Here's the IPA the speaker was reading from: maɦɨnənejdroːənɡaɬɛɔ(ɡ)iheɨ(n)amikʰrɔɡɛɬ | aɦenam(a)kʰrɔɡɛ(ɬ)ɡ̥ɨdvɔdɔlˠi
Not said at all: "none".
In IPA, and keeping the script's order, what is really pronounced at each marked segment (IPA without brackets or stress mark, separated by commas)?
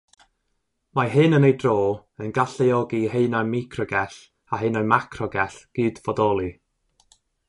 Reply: ɡ, n, a, ɬ